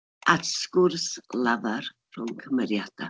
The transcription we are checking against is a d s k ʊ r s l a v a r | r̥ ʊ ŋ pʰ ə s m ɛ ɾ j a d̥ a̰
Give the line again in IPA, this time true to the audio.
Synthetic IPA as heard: a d s k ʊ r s l a v a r | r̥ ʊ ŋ kʰ ə m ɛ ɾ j a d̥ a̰